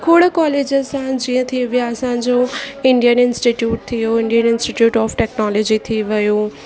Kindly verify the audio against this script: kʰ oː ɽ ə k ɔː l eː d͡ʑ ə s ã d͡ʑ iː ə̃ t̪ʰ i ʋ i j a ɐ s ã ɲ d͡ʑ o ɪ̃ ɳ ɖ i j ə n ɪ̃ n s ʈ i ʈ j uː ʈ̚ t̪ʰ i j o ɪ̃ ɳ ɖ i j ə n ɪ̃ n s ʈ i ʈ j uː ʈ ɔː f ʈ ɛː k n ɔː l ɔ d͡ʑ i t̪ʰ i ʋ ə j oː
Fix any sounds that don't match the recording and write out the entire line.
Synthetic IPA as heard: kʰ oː ɽ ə k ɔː l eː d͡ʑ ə s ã d͡ʑ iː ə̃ t̪ʰ i ʋ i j a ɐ s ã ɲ d͡ʑ o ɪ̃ ɳ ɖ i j ə n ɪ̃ n s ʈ i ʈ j uː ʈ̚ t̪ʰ i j o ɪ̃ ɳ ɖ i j ə n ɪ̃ n s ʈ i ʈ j uː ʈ ɔː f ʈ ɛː k n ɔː l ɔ d͡ʑ i t̪ʰ i ʋ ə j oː